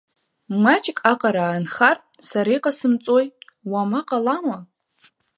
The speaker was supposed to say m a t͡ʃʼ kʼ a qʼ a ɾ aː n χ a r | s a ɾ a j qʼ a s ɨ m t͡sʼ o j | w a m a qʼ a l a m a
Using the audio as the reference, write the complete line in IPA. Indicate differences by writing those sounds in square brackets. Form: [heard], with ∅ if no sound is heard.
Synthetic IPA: m a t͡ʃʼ kʼ a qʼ a ɾ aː n χ a r | s a ɾ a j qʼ a s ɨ m t͡sʼ o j | w a m a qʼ a l a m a